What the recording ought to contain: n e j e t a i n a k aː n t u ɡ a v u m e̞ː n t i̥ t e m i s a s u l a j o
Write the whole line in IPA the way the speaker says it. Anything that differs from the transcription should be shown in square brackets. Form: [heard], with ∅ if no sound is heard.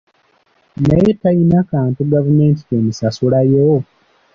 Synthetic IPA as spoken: n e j e t a i n a k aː n t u ɡ a v u m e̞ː n t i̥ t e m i s a s u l a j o